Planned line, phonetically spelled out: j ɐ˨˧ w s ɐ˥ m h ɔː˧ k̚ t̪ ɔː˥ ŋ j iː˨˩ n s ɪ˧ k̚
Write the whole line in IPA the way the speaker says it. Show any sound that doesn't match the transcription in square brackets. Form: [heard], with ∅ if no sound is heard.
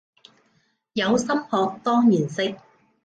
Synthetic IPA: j ɐ˨˧ w s ɐ˥ m h ɔː˧ k̚ t̪ ɔː˥ ŋ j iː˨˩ n s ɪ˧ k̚